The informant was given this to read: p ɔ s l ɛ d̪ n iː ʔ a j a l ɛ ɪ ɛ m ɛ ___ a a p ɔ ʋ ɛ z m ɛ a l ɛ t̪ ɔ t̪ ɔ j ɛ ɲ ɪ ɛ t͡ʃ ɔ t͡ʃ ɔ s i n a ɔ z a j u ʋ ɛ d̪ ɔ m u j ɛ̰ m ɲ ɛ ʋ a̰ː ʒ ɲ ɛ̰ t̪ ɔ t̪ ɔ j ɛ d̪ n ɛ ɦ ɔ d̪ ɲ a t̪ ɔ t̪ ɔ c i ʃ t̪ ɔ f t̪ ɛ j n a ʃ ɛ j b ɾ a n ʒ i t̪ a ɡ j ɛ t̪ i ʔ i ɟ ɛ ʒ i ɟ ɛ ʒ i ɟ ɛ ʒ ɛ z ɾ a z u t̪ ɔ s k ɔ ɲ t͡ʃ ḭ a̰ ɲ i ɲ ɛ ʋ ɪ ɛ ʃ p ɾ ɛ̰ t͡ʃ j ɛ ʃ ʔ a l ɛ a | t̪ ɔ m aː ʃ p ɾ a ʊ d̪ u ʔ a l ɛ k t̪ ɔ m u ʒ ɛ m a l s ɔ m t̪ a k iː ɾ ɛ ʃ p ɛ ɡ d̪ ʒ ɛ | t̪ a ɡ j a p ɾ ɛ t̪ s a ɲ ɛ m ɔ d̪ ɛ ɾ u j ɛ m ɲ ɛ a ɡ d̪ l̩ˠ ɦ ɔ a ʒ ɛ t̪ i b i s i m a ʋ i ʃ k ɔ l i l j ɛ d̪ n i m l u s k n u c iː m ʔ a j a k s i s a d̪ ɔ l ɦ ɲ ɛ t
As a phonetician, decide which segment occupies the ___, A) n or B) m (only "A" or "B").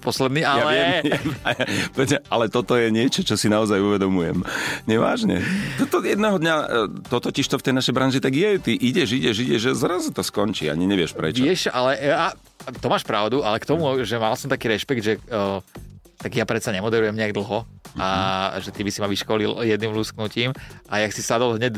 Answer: B